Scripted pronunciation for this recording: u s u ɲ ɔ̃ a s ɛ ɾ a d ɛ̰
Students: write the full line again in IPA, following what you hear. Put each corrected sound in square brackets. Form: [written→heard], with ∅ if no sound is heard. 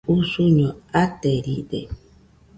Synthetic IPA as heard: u s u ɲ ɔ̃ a [s→t] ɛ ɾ [a→i] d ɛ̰